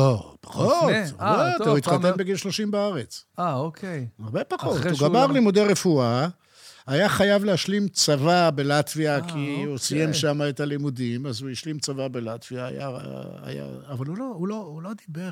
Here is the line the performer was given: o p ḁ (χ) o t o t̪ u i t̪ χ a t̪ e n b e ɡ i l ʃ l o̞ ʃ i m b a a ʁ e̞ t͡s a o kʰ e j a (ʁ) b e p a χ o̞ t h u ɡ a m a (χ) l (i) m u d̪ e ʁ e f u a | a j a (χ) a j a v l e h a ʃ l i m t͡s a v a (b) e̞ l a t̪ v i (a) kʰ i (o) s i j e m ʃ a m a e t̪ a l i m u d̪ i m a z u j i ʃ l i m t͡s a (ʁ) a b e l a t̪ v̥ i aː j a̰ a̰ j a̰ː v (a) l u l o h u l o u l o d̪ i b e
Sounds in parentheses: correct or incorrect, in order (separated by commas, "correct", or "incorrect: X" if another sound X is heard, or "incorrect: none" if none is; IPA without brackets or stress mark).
correct, correct, incorrect: ʁ, correct, correct, correct, correct, incorrect: u, incorrect: v, correct